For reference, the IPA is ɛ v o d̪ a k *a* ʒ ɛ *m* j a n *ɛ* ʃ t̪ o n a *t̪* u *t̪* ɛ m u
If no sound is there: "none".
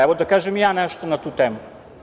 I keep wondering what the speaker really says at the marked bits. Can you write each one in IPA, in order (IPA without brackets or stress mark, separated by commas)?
a, m, ɛ, t̪, t̪